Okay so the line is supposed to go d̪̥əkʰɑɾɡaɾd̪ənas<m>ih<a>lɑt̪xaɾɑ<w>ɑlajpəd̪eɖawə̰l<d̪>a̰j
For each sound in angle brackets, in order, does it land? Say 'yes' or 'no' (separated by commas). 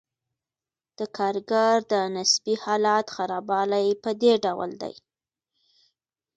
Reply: no, no, no, yes